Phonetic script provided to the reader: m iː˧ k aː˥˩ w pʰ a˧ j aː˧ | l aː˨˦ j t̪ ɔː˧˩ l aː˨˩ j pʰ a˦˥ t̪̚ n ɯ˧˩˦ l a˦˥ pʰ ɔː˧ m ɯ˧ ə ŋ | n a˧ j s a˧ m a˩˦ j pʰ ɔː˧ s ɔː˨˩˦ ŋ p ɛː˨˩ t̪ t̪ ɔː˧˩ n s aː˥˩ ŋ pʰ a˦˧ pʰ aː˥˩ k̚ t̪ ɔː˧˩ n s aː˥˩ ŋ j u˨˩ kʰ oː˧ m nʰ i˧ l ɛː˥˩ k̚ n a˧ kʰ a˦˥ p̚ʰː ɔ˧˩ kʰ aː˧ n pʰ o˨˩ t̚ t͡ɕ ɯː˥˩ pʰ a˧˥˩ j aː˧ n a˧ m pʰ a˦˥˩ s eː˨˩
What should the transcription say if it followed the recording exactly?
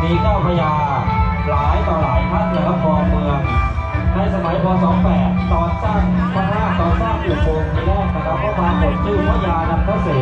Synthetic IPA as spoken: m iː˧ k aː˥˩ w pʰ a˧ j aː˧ | l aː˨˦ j t̪ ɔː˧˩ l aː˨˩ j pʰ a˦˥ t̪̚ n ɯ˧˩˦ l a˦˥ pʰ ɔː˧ m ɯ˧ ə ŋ | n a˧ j s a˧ m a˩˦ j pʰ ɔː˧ s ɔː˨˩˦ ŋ p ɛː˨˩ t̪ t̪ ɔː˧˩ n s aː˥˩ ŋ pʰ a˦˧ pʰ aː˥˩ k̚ t̪ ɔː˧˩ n s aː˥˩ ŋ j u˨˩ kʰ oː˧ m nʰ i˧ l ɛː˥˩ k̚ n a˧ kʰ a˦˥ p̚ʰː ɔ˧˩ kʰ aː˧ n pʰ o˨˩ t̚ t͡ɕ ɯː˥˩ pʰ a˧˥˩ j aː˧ n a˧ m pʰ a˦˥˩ s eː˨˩